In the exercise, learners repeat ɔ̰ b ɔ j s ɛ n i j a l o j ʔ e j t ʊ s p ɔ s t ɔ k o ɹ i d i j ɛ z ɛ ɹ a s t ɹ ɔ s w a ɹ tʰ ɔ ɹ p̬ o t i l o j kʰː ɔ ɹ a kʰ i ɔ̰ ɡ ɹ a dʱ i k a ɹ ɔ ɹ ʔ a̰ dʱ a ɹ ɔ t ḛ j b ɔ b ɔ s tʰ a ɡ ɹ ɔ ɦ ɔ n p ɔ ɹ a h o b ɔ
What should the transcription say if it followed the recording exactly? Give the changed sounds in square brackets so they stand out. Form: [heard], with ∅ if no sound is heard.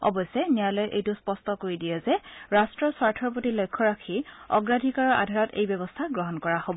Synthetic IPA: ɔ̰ b ɔ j s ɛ n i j a l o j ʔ e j t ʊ s p ɔ s t ɔ k o ɹ i d i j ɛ z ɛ ɹ a s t ɹ ɔ s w a ɹ tʰ ɔ ɹ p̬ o t i l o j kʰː ɔ ɹ a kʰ i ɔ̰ ɡ ɹ a dʱ i k a ɹ ɔ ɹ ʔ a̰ dʱ a ɹ ɔ t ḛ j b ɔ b ɔ s tʰ a ɡ ɹ ɔ ɦ ɔ n [k] ɔ ɹ a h o b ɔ